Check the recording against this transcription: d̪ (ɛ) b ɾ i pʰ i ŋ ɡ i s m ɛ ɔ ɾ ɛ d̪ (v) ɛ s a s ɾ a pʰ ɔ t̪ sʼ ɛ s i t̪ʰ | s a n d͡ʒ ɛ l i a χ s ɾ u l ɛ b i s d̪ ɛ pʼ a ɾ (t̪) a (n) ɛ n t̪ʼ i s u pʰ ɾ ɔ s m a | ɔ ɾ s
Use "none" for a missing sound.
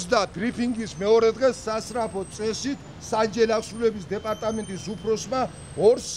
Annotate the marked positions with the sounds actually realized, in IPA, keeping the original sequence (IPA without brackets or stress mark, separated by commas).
a, ʁ, t̪ʼ, m